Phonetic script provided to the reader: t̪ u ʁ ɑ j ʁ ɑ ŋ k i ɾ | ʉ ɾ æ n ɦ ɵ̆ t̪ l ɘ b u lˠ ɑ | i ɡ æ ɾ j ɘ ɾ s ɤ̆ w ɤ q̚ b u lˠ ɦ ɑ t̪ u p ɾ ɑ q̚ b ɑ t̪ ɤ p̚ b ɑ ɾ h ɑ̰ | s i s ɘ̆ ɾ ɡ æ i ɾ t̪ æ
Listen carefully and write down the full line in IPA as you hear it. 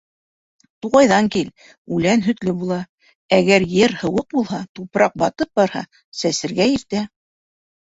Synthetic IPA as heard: t̪ u ʁ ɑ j ð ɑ ŋ k i l | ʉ l æ n ɦ ɵ̆ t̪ l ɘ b u lˠ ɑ | æ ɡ æ ɾ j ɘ ɾ h ɤ̆ w ɤ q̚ b u lˠ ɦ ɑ t̪ u p ɾ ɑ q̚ b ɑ t̪ ɤ p̚ b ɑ ɾ h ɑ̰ | s æ s ɘ̆ ɾ ɡ æ i ɾ t̪ æ